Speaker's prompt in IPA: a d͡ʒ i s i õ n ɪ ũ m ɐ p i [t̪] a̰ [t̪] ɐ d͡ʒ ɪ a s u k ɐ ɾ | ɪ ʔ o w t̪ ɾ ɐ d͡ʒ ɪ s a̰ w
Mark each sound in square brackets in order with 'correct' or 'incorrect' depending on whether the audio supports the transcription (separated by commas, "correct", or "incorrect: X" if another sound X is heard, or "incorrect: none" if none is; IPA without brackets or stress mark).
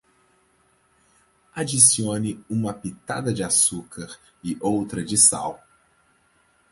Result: correct, incorrect: d̪